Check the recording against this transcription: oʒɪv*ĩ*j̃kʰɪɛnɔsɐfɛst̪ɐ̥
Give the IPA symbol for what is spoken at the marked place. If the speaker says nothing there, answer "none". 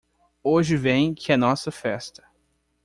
ẽ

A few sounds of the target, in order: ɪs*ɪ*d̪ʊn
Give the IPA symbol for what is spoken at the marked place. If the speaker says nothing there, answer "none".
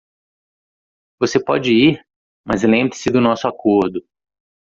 ɪ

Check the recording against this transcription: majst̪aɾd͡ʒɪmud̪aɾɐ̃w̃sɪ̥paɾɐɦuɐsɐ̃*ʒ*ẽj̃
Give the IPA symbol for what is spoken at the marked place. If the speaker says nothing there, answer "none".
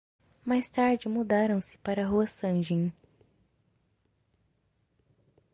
ʒ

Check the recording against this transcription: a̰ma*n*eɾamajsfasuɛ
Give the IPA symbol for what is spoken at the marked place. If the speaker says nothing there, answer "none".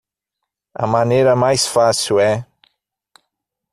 n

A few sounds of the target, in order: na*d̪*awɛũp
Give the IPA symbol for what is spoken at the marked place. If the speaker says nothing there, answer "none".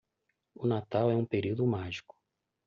t̪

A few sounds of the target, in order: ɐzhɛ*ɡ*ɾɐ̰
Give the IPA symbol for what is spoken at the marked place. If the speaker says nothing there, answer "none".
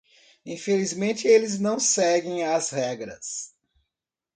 ɡ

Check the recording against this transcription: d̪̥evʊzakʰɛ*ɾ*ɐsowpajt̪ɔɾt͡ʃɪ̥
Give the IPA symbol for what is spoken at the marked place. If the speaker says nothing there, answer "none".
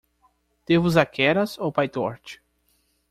ɾ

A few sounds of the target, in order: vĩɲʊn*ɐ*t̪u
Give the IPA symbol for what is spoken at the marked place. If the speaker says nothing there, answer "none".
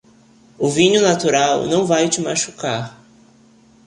a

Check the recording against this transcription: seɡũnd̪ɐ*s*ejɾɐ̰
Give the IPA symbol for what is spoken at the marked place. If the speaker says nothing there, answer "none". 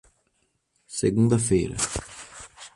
f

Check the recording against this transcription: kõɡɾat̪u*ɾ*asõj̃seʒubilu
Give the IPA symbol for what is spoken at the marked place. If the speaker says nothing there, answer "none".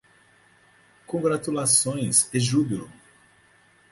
l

